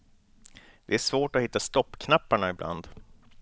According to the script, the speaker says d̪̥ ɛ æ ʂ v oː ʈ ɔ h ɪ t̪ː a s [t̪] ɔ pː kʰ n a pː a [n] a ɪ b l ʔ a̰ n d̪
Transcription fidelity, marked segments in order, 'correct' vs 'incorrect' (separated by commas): correct, incorrect